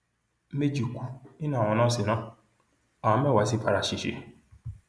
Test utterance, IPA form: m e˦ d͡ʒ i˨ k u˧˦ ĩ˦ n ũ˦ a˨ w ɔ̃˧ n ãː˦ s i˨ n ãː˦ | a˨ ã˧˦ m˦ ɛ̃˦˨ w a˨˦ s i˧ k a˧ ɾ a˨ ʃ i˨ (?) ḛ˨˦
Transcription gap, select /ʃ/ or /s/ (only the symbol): ʃ